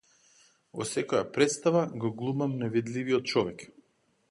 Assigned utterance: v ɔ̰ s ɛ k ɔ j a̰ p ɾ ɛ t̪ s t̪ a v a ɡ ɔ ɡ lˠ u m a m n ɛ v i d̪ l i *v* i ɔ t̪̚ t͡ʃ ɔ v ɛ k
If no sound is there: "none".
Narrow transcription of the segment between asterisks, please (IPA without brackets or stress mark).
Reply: v